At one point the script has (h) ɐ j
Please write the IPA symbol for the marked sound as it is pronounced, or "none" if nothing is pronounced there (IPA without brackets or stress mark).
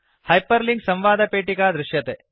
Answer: h